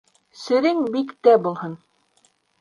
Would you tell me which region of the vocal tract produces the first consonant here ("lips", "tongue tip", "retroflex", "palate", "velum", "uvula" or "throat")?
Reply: tongue tip